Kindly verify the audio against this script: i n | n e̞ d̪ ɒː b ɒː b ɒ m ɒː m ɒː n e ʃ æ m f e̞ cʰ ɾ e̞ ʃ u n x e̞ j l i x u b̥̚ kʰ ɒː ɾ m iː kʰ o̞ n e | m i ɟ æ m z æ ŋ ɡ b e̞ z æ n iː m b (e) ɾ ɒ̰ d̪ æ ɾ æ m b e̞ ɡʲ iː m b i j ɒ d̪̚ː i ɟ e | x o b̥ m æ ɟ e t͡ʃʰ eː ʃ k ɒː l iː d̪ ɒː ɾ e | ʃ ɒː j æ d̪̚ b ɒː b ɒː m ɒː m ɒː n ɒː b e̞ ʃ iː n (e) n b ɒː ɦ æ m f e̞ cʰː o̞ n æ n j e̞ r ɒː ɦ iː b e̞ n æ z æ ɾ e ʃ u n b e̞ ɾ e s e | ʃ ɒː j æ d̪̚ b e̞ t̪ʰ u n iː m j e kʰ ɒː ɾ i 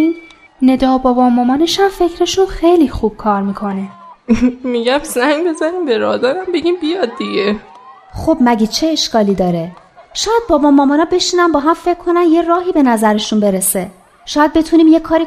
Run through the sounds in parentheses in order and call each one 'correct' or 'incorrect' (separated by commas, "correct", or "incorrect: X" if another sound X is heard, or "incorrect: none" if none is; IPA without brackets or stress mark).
correct, incorrect: æ